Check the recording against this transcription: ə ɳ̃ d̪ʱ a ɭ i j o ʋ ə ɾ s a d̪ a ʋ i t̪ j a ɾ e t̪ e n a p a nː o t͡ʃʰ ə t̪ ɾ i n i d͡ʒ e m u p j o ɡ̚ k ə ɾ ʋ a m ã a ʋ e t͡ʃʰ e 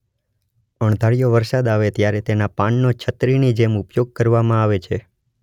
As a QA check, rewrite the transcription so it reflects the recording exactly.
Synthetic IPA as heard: ə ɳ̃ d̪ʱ a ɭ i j o ʋ ə ɾ s a d̪ a ʋ e t̪ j a ɾ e t̪ e n a p a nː o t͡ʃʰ ə t̪ ɾ i n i d͡ʒ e m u p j o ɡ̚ k ə ɾ ʋ a m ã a ʋ e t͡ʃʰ e